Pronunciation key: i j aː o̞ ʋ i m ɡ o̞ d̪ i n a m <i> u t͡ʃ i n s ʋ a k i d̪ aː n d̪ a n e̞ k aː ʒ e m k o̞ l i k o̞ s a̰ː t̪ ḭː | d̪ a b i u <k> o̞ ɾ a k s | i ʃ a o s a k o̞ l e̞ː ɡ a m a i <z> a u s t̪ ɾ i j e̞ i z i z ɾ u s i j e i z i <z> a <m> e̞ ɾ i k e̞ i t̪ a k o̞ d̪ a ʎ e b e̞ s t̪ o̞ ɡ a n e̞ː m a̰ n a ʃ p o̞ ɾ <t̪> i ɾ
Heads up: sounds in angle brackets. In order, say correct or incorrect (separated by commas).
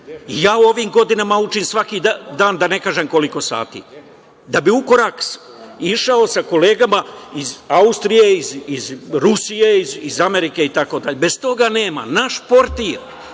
incorrect, correct, correct, correct, correct, correct